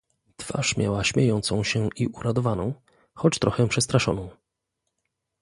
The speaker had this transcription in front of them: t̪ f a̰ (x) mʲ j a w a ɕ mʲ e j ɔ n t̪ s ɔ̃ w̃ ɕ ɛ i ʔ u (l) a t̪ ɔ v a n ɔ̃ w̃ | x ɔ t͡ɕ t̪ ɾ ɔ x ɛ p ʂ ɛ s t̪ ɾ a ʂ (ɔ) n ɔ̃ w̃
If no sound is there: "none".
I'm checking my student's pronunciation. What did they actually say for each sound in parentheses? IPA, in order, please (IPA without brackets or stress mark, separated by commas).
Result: ʂ, ɾ, ɔ